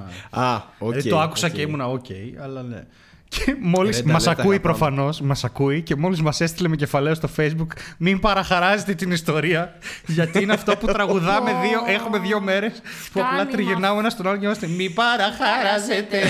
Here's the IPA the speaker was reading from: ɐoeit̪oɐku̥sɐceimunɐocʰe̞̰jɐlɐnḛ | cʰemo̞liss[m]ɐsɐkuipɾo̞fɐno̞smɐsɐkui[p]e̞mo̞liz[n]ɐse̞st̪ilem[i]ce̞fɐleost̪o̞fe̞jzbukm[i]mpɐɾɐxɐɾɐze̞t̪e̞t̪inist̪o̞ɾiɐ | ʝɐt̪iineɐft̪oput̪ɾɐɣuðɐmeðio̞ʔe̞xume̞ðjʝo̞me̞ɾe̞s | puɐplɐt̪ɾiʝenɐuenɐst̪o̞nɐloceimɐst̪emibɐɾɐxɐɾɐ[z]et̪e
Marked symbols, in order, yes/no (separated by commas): yes, no, no, no, yes, yes